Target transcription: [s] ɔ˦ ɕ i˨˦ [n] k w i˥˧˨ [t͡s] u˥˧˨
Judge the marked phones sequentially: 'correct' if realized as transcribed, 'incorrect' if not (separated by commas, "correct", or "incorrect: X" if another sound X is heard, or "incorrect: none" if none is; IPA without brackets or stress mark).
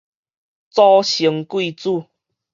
incorrect: t͡s, incorrect: ŋ, correct